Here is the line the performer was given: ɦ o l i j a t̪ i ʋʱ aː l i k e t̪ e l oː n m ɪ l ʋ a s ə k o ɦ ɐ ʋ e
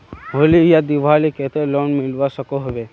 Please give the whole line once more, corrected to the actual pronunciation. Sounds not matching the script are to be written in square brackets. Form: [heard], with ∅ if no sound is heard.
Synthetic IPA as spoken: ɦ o l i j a [d̪] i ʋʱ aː l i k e t̪ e l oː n m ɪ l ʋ a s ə k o ɦ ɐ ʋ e